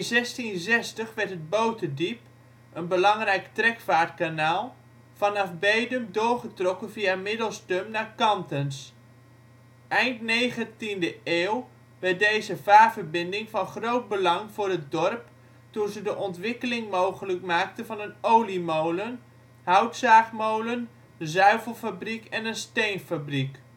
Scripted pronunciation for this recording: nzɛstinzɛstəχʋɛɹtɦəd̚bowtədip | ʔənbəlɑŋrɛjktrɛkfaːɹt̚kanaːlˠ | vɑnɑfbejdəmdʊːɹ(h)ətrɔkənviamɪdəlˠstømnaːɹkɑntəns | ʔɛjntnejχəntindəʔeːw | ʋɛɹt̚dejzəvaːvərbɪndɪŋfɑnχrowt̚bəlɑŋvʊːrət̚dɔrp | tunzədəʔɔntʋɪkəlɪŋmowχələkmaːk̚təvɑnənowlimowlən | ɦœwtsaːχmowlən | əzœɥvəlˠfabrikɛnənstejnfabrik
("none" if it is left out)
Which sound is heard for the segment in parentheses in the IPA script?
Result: χ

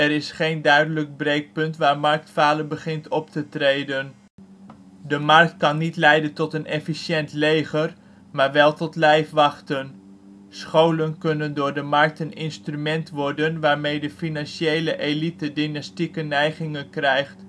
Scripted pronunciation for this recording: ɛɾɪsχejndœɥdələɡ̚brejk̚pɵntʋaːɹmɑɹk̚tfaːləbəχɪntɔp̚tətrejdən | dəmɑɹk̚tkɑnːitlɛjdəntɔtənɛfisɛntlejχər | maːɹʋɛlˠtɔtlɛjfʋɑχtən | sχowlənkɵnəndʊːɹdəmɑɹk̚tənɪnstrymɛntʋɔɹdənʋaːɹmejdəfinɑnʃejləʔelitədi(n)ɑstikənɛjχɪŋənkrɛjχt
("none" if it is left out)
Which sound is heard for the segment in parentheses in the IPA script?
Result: n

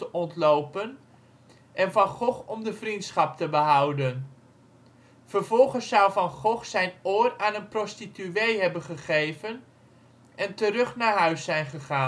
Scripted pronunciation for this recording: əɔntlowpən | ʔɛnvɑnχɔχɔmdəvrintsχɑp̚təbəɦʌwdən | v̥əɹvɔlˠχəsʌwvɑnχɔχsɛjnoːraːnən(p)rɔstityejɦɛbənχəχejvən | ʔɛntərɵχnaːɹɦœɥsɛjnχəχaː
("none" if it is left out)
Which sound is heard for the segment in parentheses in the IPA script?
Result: p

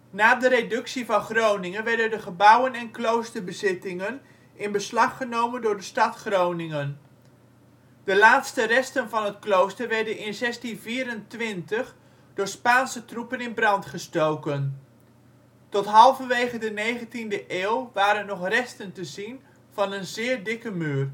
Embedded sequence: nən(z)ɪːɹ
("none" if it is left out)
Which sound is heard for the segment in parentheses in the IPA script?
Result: z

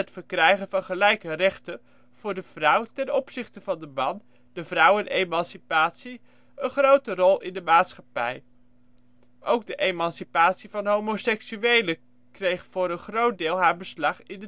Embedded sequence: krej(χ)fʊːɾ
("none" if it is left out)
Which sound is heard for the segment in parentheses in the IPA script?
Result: χ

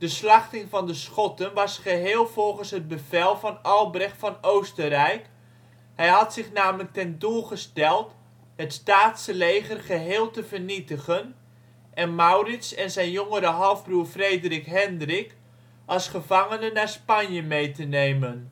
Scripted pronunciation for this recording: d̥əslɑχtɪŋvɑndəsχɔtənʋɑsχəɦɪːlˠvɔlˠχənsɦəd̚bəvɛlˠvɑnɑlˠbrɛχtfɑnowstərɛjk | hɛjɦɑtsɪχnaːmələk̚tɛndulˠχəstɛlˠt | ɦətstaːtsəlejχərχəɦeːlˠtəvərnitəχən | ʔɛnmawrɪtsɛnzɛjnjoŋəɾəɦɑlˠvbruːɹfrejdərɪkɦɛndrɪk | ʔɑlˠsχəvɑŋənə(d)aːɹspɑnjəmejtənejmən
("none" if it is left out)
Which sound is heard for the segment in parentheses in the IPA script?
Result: n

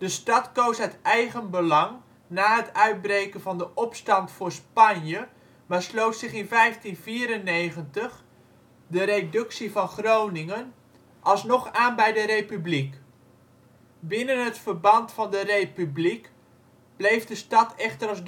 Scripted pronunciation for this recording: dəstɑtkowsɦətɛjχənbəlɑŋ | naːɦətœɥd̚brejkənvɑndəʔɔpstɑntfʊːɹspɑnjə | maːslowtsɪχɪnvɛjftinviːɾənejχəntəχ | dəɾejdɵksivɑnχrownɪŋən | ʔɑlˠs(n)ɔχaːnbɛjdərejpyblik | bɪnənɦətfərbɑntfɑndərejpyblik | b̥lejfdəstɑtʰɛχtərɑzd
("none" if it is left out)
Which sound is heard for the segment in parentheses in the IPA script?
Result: n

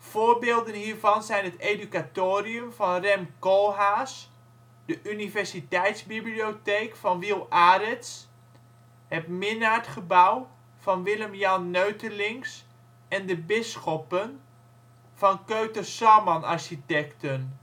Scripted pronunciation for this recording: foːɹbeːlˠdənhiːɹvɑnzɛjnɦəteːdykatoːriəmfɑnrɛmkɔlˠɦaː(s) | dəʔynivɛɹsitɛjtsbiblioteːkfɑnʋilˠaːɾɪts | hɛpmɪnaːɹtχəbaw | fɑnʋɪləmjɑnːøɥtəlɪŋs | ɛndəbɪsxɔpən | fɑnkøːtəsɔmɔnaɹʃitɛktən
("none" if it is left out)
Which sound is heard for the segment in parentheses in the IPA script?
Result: s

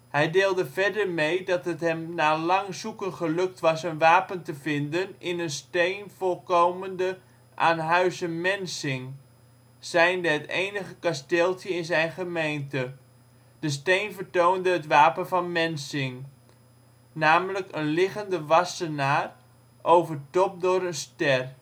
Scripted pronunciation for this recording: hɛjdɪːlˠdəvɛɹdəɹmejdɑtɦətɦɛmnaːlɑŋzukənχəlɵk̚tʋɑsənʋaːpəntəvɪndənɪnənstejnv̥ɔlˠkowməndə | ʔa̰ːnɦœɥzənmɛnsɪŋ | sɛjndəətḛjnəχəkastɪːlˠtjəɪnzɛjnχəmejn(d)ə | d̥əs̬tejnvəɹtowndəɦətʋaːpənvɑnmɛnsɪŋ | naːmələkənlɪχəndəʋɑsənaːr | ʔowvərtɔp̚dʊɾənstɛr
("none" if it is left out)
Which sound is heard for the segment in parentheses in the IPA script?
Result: t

